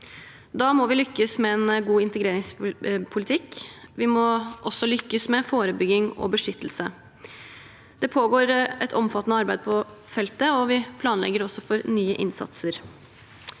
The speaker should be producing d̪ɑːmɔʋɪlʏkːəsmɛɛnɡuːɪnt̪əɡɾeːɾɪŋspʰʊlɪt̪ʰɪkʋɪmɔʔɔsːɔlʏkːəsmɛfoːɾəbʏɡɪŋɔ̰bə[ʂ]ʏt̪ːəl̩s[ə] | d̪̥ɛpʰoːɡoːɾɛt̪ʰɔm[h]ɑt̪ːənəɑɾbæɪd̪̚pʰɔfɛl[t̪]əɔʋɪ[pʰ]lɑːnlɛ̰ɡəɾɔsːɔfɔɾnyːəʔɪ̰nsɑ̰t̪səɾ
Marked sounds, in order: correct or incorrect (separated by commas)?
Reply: correct, correct, incorrect, correct, correct